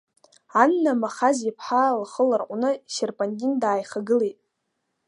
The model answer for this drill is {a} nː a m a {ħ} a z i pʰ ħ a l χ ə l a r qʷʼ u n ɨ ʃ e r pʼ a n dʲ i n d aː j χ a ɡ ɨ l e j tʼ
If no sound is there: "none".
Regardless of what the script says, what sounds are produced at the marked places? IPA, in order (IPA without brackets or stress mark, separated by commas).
a, χ